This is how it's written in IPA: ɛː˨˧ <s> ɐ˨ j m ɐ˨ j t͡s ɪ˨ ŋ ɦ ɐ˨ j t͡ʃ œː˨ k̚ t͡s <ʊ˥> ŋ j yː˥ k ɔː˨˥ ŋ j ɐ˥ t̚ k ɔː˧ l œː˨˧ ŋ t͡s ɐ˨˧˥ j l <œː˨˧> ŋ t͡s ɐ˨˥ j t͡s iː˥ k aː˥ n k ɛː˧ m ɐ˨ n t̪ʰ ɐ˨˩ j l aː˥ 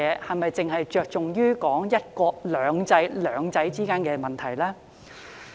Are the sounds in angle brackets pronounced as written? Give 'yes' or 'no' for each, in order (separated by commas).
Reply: no, no, yes